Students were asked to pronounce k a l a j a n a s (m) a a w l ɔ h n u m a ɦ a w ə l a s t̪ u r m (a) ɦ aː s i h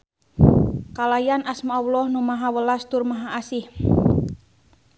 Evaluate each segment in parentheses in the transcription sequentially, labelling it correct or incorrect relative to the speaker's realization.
correct, correct

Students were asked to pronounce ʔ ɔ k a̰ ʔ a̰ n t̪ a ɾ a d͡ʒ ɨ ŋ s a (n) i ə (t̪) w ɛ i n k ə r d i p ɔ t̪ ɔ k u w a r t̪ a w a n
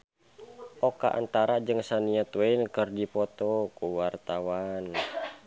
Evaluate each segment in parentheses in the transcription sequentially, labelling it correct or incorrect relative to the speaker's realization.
correct, correct

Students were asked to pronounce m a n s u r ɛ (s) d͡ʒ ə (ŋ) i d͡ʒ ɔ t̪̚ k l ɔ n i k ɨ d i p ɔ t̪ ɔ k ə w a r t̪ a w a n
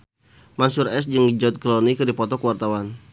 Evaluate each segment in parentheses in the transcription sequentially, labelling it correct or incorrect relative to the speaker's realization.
correct, correct

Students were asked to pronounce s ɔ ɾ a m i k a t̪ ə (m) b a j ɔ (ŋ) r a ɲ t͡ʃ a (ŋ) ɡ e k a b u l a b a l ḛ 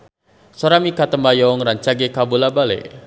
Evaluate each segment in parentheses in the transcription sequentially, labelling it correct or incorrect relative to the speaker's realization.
correct, correct, incorrect: none

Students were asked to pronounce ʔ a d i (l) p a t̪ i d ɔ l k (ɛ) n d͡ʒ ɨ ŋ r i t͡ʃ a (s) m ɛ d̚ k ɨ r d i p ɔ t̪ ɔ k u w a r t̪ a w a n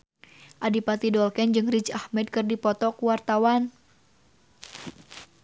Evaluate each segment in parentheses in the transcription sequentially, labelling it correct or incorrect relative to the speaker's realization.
incorrect: none, correct, incorrect: h

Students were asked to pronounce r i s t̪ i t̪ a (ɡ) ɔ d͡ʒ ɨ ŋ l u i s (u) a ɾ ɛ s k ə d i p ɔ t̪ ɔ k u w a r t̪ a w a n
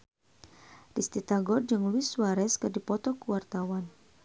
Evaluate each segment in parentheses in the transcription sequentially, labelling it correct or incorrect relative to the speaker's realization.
correct, incorrect: w

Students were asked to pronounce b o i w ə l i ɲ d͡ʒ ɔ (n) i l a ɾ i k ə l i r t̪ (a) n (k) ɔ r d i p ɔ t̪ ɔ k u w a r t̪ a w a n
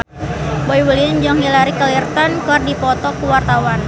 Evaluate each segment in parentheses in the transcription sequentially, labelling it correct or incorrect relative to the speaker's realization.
incorrect: ŋ, correct, correct

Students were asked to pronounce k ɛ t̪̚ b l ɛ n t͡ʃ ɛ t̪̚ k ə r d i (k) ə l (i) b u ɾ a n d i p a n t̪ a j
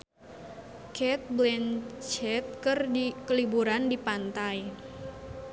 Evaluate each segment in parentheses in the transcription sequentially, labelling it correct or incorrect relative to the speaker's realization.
correct, correct

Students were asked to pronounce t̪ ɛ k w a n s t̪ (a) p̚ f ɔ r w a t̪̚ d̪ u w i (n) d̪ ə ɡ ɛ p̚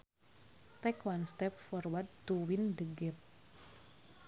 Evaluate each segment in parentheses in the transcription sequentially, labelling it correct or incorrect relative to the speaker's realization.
incorrect: ɛ, correct

